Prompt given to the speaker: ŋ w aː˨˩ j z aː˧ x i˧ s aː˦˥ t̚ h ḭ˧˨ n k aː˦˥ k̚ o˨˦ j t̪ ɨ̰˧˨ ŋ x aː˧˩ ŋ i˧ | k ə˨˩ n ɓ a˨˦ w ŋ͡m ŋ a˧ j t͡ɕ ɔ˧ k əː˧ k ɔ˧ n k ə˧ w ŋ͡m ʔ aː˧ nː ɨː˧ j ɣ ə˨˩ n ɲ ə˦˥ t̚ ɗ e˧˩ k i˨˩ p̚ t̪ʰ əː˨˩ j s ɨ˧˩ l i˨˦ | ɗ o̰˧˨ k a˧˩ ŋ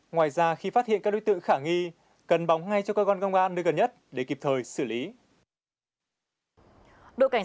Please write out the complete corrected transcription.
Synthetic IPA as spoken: ŋ w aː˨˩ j z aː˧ x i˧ f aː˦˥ t̚ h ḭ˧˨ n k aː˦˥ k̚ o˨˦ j t̪ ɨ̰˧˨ ŋ x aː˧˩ ŋ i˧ | k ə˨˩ n ɓ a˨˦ w ŋ͡m ŋ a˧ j t͡ɕ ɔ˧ k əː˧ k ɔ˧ n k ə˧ w ŋ͡m ʔ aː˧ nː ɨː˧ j ɣ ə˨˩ n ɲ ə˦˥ t̚ ɗ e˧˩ k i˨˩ p̚ t̪ʰ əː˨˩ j s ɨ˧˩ l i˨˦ | ɗ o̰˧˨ k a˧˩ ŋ